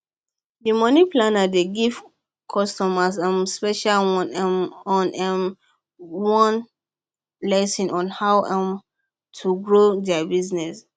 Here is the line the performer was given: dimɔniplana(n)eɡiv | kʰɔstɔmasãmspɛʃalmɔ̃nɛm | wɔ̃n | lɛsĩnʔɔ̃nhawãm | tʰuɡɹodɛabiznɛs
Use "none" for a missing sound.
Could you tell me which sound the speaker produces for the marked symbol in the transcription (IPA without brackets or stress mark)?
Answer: d